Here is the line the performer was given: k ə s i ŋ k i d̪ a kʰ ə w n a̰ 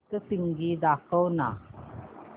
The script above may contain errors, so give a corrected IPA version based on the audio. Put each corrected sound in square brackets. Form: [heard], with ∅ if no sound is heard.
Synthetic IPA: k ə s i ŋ [ɡ] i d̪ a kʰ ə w n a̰